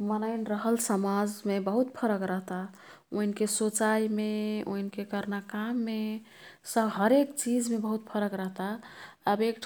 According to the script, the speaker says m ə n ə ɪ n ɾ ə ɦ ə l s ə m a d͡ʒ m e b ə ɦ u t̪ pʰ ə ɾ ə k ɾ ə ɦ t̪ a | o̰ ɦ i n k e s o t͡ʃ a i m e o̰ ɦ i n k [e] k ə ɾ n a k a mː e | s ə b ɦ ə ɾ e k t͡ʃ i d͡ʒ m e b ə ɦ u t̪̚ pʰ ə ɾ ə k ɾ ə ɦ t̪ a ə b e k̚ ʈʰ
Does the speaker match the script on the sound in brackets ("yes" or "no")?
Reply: yes